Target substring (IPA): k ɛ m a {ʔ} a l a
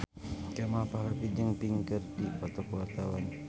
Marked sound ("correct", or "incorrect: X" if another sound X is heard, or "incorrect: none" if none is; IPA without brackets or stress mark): incorrect: p